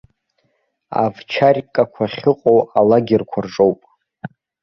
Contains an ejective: yes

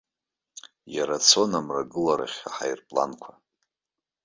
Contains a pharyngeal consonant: yes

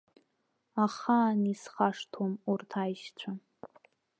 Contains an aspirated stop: yes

